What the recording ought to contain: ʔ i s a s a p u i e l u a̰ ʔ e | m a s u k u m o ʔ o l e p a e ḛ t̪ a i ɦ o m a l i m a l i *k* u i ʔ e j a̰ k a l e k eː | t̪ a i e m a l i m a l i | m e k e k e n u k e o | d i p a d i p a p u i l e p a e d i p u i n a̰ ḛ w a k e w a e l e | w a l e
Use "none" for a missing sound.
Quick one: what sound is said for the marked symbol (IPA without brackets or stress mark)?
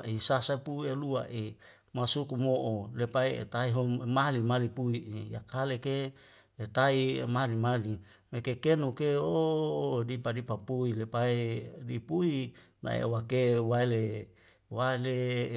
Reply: p